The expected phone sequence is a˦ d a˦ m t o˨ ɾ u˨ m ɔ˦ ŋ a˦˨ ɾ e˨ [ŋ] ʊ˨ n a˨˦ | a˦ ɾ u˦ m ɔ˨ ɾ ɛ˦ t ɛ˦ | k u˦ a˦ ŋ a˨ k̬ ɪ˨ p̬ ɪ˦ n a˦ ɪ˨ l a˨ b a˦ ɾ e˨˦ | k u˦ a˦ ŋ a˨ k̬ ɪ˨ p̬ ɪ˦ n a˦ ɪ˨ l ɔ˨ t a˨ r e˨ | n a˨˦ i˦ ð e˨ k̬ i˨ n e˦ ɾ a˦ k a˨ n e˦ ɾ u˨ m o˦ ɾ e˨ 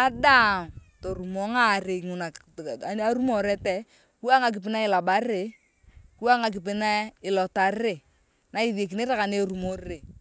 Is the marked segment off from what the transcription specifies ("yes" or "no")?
no